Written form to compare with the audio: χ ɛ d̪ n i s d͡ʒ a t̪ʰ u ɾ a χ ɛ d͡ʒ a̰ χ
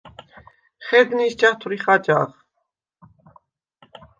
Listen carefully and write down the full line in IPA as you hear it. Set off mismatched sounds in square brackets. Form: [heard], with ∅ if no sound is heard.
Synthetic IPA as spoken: χ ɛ d̪ n i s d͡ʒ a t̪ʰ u ɾ [i] χ [a] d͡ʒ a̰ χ